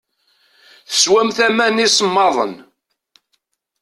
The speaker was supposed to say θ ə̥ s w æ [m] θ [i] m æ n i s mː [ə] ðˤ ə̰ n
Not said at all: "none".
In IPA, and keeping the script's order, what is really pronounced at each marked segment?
m, æ, ɑ

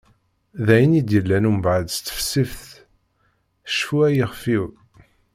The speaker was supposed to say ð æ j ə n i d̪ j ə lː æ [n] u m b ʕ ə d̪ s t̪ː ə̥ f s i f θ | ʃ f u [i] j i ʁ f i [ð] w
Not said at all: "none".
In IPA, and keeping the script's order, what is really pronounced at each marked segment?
n, æ, none

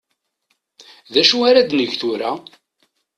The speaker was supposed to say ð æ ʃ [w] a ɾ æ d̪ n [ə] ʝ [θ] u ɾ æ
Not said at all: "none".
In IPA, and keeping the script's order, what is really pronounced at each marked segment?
u, ə, θ

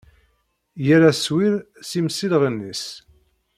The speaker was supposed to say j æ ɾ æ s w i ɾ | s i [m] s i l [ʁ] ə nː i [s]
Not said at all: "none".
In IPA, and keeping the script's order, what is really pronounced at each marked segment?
m, ʁ, s

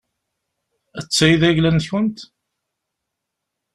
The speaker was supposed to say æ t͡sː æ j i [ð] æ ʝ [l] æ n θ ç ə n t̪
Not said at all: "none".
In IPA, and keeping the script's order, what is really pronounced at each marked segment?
ð, l

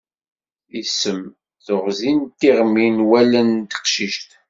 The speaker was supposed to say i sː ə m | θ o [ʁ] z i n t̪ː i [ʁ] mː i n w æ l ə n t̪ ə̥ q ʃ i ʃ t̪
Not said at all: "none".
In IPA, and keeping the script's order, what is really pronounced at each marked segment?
ʁ, ʁ

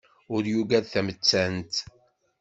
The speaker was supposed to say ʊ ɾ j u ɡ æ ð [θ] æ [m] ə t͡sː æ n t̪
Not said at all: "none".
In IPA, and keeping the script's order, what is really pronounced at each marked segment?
θ, m

